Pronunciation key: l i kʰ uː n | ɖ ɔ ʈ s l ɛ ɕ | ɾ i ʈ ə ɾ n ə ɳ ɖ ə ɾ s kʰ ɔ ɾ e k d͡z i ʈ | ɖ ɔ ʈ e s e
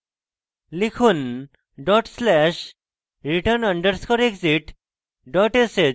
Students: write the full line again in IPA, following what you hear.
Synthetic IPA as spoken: l i kʰ uː n | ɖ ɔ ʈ s l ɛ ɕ | ɾ i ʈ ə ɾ n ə ɳ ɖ ə ɾ s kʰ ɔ ɾ e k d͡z i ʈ | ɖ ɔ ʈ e s e